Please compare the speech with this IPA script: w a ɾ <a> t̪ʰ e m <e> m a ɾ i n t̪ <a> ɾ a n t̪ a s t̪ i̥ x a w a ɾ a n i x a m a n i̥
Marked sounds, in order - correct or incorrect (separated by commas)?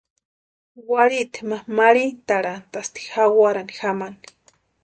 incorrect, incorrect, correct